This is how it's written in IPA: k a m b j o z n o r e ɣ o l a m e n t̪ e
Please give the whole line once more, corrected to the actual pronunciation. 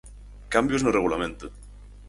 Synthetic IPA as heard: k a m b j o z n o r e ɣ u l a m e n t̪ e